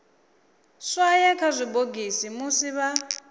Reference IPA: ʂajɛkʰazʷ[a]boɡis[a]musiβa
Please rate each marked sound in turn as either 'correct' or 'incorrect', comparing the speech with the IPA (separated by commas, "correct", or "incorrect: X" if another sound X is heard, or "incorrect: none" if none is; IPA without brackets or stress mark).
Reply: incorrect: i, incorrect: i